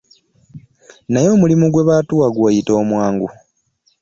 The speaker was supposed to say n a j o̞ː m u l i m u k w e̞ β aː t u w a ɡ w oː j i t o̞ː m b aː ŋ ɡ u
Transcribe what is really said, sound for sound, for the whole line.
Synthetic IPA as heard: n a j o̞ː m u l i m u ɡ w e̞ β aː t u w a ɡ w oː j i t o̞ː m w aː ŋ ɡ u